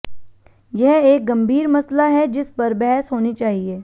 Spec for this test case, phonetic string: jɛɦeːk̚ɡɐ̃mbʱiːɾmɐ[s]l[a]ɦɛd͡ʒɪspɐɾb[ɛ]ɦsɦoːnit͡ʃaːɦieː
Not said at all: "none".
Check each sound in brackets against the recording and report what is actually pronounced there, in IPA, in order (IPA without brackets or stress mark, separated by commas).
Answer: s, a, ɛ